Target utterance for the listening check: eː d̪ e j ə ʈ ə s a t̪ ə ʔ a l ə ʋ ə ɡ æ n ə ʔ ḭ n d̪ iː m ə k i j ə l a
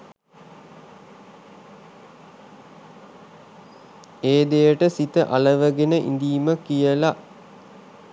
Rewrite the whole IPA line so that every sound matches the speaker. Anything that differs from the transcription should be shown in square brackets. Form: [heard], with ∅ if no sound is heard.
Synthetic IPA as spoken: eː d̪ e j ə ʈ ə s [i] t̪ ə ʔ a l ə ʋ ə ɡ [e] n ə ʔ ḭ n d̪ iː m ə k i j ə l a